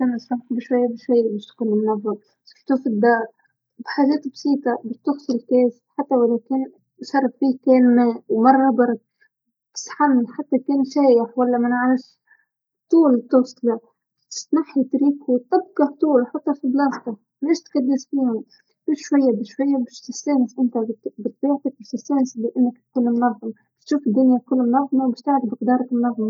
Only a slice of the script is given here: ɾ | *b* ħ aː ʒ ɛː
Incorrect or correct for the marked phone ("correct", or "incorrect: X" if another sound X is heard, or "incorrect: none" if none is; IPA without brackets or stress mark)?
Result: correct